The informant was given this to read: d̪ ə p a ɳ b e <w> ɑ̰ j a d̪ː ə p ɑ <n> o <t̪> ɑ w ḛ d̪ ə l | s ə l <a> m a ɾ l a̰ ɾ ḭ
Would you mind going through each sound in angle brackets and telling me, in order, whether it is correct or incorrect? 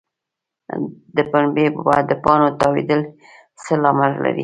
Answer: incorrect, correct, correct, incorrect

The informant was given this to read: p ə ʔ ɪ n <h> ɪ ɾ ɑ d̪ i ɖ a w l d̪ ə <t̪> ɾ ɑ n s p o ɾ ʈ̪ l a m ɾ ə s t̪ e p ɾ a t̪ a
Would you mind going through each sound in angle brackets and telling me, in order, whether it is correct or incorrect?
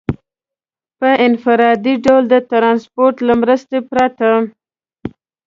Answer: incorrect, correct

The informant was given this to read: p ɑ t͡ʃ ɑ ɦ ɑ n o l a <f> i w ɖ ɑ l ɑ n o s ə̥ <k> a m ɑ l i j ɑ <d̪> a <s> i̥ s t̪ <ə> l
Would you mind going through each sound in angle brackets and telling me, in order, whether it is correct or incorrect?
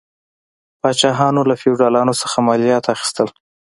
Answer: correct, incorrect, incorrect, incorrect, correct

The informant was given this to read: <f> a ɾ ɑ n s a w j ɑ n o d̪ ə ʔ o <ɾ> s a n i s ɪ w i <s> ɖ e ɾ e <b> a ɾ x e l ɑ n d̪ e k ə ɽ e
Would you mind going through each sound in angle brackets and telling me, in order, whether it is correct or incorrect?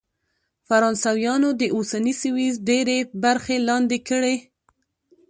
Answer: correct, incorrect, incorrect, correct

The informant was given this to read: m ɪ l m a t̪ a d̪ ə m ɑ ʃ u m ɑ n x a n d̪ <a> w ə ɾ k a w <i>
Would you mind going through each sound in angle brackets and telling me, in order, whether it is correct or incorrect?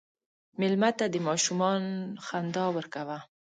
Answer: incorrect, incorrect

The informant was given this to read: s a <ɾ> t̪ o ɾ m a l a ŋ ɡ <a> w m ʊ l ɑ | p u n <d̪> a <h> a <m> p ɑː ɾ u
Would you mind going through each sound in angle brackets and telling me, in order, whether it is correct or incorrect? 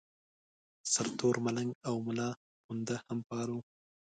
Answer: correct, correct, correct, correct, correct

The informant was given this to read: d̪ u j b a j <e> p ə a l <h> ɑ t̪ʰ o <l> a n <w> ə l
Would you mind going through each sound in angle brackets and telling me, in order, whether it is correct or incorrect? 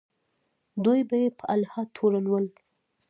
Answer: correct, correct, incorrect, correct

